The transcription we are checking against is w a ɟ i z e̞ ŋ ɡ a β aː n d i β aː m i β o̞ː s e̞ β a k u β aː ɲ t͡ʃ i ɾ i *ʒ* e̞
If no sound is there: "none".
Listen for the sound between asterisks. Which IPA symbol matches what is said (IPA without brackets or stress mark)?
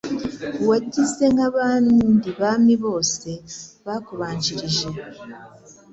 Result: ʒ